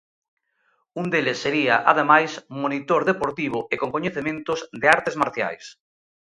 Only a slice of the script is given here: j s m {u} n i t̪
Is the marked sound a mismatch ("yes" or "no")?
yes